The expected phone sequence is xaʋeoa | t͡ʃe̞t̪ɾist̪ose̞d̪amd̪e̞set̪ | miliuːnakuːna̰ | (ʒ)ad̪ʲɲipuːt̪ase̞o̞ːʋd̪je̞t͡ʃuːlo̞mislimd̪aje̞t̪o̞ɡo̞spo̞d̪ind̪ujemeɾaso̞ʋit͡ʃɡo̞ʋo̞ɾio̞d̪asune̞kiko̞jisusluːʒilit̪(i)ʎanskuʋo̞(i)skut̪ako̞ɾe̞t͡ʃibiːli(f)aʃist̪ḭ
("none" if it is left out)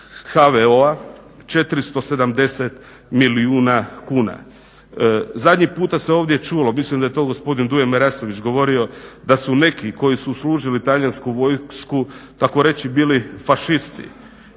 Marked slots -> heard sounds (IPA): z, a, j, f

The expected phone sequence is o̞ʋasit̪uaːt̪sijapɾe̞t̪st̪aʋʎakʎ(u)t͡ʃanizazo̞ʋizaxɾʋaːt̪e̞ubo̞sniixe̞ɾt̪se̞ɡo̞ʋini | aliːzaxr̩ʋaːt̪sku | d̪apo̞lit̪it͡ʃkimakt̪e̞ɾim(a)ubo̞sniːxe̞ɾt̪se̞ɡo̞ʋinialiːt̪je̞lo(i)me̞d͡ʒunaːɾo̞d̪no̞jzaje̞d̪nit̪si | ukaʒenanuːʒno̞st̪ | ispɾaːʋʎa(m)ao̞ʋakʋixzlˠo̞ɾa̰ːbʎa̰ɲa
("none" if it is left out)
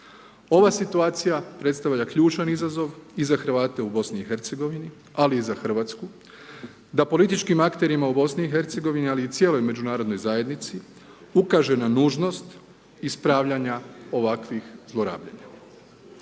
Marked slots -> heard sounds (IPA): uː, a, j, ɲ

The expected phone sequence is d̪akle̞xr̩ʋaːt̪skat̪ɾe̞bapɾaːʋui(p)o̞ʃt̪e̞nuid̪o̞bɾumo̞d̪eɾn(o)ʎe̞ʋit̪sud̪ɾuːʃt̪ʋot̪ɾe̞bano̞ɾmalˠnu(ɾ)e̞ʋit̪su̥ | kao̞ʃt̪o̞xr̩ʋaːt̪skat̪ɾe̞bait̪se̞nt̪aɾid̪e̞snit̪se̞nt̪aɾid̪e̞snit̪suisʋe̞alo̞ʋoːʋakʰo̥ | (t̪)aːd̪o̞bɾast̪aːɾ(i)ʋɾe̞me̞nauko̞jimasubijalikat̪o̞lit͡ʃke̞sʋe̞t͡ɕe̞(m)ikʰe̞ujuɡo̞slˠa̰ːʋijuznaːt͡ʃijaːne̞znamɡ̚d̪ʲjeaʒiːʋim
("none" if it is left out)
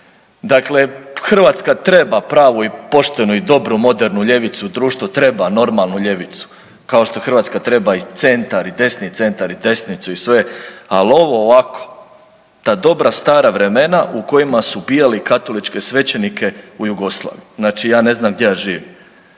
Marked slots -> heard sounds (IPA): p, u, ʎ, t̪, a, n

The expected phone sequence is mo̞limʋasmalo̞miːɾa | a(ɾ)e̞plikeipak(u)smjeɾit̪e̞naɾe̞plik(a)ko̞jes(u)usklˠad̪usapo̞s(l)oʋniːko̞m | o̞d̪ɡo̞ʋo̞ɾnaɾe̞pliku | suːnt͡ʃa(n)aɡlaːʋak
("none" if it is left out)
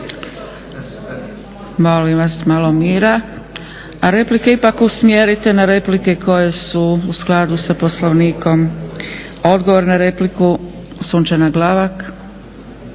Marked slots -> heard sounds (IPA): ɾ, u, e, u, l, n

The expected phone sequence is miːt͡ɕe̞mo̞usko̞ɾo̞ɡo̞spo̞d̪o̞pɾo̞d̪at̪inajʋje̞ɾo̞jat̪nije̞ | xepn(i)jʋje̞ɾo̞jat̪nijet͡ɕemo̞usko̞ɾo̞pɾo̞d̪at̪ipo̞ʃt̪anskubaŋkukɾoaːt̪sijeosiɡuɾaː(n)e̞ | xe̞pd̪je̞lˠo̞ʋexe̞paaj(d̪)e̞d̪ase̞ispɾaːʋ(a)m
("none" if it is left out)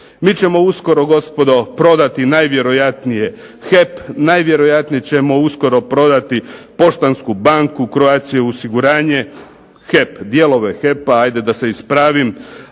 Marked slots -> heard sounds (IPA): a, ɲ, d̪, i

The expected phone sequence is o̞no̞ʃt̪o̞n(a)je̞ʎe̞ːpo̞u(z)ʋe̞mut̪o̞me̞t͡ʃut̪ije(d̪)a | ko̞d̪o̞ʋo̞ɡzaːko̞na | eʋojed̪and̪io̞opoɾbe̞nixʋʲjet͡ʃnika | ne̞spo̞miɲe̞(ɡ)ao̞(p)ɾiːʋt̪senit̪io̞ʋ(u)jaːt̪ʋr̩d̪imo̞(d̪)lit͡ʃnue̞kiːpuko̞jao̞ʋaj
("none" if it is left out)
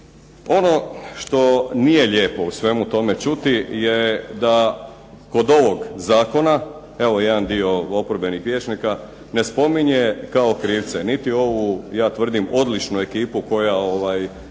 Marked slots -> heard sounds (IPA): i, s, d̪, k, k, u, d̪

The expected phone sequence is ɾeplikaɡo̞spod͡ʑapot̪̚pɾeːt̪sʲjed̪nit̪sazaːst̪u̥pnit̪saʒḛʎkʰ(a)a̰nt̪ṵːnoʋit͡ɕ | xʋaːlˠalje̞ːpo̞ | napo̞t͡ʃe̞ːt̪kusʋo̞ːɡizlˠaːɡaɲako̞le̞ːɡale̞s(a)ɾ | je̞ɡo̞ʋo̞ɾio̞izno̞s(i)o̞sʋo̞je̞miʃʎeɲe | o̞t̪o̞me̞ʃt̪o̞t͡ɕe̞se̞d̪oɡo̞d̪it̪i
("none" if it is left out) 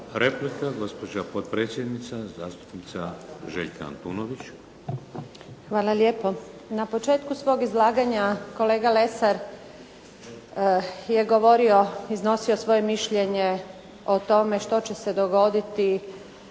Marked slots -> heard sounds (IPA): a, a, i

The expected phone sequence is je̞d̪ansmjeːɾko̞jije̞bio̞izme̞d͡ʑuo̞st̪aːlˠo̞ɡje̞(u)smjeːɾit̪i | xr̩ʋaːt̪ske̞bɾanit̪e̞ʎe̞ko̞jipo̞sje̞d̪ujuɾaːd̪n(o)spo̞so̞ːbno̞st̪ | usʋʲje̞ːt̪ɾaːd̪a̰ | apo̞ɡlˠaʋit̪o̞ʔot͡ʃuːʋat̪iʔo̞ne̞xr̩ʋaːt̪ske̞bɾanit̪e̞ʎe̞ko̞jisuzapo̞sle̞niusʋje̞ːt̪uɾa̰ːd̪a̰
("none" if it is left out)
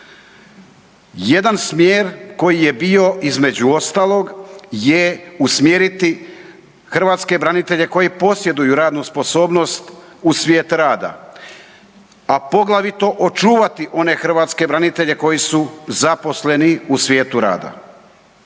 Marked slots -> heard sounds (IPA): u, u

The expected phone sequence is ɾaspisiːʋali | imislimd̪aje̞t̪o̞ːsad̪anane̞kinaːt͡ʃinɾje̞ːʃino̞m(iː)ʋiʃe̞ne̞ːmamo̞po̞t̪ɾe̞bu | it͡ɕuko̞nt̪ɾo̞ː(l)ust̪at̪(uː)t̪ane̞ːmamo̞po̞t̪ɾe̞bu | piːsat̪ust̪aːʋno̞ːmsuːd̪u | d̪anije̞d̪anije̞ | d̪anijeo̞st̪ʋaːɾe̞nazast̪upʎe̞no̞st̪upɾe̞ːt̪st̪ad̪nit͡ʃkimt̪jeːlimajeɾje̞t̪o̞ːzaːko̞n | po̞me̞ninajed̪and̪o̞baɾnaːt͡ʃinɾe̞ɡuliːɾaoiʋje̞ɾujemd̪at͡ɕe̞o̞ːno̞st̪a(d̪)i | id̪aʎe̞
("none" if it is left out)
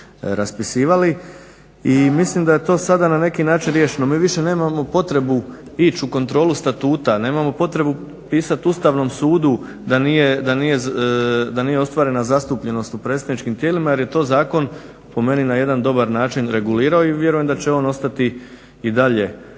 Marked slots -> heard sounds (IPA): iː, l, uː, t̪

